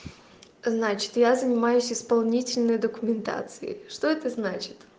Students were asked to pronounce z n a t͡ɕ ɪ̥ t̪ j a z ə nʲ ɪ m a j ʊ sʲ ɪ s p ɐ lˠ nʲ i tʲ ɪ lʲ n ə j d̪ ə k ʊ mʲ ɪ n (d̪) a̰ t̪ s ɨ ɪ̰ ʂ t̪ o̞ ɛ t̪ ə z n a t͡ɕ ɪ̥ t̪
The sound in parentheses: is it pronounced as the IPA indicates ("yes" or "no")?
no